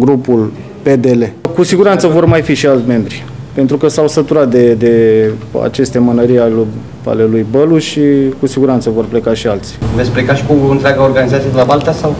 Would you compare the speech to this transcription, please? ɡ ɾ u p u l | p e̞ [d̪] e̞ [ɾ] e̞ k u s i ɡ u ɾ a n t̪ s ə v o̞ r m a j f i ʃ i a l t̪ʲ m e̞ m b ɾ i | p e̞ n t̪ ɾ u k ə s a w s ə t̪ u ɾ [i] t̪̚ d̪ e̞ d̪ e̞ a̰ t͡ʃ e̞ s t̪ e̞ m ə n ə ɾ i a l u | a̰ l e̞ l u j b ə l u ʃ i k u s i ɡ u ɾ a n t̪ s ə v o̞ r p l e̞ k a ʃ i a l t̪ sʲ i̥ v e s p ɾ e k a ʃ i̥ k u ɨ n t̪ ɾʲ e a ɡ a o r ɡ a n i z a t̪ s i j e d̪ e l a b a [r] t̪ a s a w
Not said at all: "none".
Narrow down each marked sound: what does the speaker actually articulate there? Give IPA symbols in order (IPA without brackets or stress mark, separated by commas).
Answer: d̪, l, a, l